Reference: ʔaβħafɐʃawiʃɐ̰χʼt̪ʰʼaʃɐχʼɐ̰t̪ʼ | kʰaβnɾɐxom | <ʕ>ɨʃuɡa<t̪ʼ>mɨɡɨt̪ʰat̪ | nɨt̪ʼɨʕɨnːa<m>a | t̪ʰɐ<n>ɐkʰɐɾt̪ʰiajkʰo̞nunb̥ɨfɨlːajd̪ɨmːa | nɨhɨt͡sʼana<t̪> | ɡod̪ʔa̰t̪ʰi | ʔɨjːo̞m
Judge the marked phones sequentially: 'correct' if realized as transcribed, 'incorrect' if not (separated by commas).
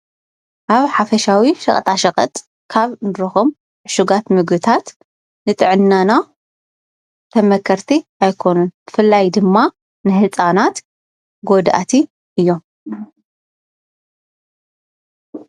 correct, incorrect, incorrect, incorrect, correct